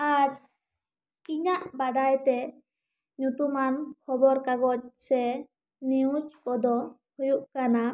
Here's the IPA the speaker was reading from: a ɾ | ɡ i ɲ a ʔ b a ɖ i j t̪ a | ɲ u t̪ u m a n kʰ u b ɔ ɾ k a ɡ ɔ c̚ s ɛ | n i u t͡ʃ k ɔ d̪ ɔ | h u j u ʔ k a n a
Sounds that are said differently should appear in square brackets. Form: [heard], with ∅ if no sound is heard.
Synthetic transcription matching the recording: a ɾ | [k] i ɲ a ʔ b a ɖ [a] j t̪ [ɛ] | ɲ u t̪ u m a n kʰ [ɔ] b ɔ ɾ k a ɡ ɔ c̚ s ɛ | n i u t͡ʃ k ɔ d̪ ɔ | h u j u ʔ k a n a